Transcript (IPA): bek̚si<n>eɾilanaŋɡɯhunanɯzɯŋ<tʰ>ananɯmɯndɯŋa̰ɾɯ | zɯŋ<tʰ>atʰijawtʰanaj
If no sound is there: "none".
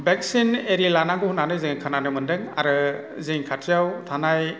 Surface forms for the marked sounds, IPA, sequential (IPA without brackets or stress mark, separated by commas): n, kʰ, kʰ